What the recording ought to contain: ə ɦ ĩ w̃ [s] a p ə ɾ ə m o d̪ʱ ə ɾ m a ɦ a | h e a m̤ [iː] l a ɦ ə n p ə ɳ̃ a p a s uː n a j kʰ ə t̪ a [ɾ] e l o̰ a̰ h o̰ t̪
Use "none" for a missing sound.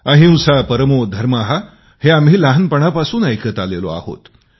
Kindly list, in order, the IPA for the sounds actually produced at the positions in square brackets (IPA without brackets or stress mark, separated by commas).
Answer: s, iː, l